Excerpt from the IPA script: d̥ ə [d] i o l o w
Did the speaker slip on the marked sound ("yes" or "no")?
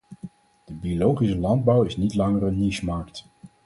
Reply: yes